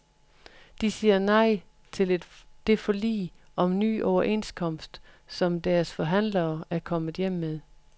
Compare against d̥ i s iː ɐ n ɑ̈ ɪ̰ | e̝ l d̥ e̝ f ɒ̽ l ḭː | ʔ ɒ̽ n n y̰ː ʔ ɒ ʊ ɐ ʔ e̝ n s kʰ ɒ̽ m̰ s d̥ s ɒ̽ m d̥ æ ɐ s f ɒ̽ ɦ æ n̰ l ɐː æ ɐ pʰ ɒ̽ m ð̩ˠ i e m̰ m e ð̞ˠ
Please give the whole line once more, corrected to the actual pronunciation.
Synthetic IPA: d̥ i s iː ɐ n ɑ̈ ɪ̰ | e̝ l d̥ e̝ f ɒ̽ l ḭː | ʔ ɒ̽ m n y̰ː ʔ ɒ ʊ ɐ ʔ e̝ n s kʰ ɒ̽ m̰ s d̥ s ɒ̽ m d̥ æ ɐ s f ɒ̽ ɦ æ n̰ l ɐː æ ɐ kʰ ɒ̽ m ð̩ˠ j e m̰ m e ð̞ˠ

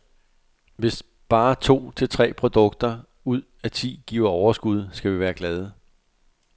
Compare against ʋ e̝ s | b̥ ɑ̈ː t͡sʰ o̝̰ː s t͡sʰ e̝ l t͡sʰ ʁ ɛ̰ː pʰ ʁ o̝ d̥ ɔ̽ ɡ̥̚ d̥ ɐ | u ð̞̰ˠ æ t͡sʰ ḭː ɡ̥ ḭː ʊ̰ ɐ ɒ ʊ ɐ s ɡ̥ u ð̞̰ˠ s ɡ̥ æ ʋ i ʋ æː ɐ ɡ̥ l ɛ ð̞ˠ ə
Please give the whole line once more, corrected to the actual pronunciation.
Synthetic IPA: ʋ e̝ s | b̥ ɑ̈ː t͡sʰ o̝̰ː t͡sʰ e̝ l t͡sʰ ʁ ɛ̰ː pʰ ʁ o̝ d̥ ɔ̽ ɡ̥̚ d̥ ɐ | u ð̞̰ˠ æ t͡sʰ ḭː ɡ̥ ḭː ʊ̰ ɐ ɒ ʊ ɐ s ɡ̥ u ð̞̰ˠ s ɡ̥ æ ʋ i ʋ æː ɐ ɡ̥ l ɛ ð̞ˠ ə

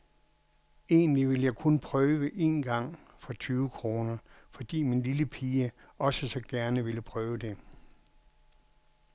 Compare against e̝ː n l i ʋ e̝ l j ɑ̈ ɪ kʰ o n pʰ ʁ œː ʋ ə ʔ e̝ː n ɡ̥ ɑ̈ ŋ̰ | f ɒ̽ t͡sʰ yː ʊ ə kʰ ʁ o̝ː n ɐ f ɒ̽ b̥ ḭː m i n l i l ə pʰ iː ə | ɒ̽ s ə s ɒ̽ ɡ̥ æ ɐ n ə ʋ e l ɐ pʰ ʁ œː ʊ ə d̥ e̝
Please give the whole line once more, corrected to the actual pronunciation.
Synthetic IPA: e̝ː n l i ʋ e̝ l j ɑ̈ ɪ kʰ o n pʰ ʁ œː ʋ ə ʔ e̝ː n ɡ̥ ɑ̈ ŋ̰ | f ɒ̽ t͡sʰ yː ʊ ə kʰ ʁ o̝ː n ɐ f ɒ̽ d̥ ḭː m i n l i l ə pʰ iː ə | ɒ̽ s ə s ɒ̽ ɡ̥ æ ɐ n ə ʋ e l ə pʰ ʁ œː ʊ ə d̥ e̝

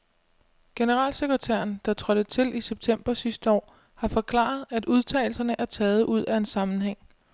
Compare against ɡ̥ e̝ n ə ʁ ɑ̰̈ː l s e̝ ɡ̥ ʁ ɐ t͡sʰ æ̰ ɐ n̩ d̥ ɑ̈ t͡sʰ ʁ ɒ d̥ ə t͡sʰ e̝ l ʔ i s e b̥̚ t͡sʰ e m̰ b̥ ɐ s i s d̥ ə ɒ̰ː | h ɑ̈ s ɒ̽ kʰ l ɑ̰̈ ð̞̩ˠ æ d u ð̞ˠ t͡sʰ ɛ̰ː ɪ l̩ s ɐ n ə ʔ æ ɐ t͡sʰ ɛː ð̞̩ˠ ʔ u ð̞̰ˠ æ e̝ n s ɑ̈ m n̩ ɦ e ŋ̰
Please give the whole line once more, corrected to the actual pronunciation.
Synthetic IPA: ɡ̥ e̝ n ə ʁ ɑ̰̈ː l s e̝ ɡ̥ ʁ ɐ t͡sʰ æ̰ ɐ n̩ d̥ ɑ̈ t͡sʰ ʁ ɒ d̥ ə t͡sʰ e̝ l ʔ i s e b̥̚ t͡sʰ e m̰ b̥ ɐ s i s d̥ ə ɒ̰ː | h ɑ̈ f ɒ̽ kʰ l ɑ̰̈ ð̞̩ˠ æ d u ð̞ˠ t͡sʰ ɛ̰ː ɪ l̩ s ɐ n ə ʔ æ ɐ t͡sʰ ɛː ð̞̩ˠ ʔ u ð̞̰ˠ æ e̝ n s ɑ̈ m n̩ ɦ e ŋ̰

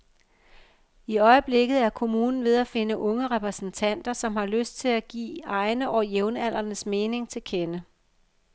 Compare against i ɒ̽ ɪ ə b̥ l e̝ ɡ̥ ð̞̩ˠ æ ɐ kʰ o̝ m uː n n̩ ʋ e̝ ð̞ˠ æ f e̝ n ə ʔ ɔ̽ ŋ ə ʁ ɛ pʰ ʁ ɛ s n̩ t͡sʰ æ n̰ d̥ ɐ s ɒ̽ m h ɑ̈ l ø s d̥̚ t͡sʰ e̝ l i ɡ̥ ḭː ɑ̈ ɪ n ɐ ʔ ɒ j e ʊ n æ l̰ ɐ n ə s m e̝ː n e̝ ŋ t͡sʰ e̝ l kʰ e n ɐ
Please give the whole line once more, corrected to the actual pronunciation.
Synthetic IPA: i ɒ̽ ɪ ə b̥ l e̝ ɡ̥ ð̞̩ˠ æ ɐ kʰ o̝ m uː n n̩ ʋ e̝ ð̞ˠ æ f e̝ n ə ʔ ɔ̽ ŋ ə ʁ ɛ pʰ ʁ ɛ s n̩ t͡sʰ æ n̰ d̥ ɐ s ɒ̽ m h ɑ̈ l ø s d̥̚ t͡sʰ e̝ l æ ɡ̥ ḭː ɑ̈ ɪ n ə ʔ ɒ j e ʊ n æ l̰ ɐ n ə s m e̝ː n e̝ ŋ t͡sʰ e̝ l kʰ e n ə

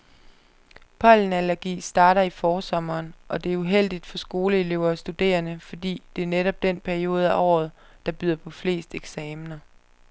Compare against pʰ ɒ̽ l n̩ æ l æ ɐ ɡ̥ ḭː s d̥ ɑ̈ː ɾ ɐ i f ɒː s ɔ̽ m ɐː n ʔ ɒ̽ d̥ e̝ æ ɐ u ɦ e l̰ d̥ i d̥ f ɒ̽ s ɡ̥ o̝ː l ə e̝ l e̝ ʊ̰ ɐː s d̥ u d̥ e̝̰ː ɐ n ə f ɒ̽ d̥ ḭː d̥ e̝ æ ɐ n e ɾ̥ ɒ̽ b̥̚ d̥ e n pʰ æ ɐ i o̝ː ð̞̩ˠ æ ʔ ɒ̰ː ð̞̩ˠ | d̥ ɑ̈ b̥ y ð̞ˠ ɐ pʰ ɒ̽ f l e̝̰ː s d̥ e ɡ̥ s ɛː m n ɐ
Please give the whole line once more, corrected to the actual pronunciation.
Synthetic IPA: pʰ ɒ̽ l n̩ æ l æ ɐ ɡ̥ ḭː s d̥ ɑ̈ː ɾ ɐ i f ɒː s ɒ̽ m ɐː n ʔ ɒ̽ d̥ e̝ æ ɐ u ɦ e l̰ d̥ i d̥ f ɒ̽ s ɡ̥ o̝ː l ə e̝ l e̝ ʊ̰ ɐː s d̥ u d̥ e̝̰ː ɐ n ə f ɒ̽ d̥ ḭː d̥ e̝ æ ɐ n e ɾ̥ ɒ̽ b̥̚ d̥ e n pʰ æ ɐ i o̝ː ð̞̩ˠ æ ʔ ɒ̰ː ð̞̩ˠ | d̥ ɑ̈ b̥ y ð̞ˠ ɐ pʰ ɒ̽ f l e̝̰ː s d̥ e ɡ̥ s ɛː m n ɐ

